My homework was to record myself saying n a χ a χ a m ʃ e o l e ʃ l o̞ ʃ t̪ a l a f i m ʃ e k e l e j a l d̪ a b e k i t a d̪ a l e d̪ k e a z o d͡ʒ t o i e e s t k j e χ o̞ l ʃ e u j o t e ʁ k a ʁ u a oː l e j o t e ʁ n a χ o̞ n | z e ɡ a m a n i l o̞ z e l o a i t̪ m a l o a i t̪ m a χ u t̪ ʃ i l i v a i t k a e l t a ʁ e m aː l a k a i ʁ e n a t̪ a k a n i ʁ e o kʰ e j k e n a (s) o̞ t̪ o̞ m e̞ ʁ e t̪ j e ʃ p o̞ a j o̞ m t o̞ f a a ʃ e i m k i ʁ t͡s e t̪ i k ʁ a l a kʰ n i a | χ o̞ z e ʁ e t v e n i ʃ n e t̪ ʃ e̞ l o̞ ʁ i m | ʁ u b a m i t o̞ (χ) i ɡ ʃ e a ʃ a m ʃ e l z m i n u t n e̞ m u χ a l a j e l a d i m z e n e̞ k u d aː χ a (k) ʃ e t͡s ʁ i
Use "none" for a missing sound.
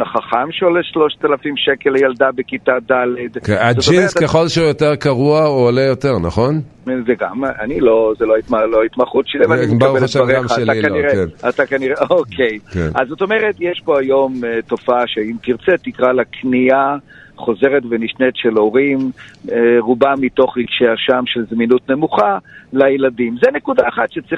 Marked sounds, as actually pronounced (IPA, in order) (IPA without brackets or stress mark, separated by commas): z, χ, t